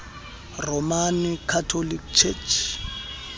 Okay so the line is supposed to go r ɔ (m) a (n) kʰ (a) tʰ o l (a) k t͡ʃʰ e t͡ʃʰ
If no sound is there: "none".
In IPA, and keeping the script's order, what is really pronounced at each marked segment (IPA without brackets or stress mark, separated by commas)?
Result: m, n, a, i